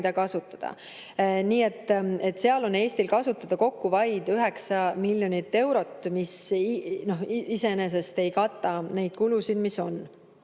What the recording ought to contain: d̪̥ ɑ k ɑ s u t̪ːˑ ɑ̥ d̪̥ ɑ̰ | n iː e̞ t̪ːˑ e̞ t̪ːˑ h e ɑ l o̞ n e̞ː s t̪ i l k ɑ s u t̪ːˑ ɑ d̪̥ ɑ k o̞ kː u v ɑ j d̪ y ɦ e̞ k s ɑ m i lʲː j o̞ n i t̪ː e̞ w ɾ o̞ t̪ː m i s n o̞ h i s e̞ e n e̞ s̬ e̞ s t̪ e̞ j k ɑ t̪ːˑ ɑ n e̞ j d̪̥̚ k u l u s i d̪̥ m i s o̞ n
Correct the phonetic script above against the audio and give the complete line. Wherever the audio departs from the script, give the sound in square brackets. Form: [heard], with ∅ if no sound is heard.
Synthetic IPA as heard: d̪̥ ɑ k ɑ s u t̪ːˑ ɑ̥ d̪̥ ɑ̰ | n iː e̞ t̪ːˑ e̞ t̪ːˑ [s] e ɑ l o̞ n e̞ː s t̪ i l k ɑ s u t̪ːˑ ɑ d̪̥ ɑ k o̞ kː u v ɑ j d̪ y ɦ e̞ k s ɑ m i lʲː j o̞ n i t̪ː e̞ w ɾ o̞ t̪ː m i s n o̞ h i s e̞ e n e̞ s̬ e̞ s t̪ e̞ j k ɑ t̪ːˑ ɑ n e̞ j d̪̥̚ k u l u s i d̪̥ m i s o̞ n